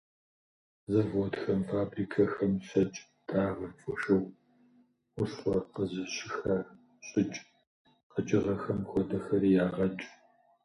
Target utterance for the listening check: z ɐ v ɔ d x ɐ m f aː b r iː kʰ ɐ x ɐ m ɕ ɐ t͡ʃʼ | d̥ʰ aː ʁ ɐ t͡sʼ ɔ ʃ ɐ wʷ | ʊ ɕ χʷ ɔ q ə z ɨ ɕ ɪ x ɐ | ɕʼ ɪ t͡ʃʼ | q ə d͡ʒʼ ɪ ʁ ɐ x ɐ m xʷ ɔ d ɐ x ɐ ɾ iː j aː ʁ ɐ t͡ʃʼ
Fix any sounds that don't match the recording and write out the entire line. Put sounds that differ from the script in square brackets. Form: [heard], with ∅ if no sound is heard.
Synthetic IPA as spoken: z ɐ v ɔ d x ɐ m f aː b r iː kʰ ɐ x ɐ m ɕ ɐ t͡ʃʼ | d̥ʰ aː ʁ ɐ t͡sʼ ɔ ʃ ɐ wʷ | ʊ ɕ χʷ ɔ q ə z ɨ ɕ ɪ x ɐ | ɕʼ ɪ t͡ʃʼ | q ə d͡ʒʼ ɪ ʁ ɐ x ɐ m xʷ ɔ d ɐ x ɐ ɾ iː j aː ʁ ɐ t͡ʃʼ